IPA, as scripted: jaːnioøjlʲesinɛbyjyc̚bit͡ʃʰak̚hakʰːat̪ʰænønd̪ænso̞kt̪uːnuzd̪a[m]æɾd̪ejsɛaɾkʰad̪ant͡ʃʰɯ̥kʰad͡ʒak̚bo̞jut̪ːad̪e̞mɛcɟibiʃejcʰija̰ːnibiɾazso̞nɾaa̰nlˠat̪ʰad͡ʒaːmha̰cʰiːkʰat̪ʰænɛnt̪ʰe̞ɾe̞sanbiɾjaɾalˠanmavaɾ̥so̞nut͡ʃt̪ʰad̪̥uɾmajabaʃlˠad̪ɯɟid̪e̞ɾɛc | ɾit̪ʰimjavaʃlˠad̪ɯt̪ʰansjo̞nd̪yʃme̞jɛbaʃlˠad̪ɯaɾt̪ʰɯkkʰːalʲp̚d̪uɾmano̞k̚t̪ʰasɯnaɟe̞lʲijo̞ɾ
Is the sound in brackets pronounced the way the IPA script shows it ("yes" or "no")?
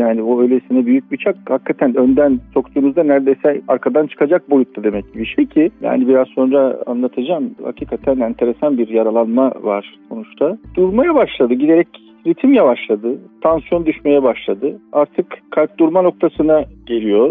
no